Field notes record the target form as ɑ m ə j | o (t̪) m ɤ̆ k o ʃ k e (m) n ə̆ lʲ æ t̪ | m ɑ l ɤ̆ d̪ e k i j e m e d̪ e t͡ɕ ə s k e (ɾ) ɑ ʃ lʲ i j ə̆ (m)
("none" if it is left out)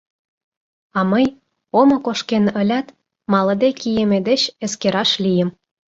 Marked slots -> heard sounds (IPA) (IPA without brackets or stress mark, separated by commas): none, none, ɾ, m